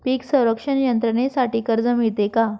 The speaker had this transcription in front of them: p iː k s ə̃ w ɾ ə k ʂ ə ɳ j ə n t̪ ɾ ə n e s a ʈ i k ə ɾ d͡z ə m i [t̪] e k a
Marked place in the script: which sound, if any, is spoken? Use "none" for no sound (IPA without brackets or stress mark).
t̪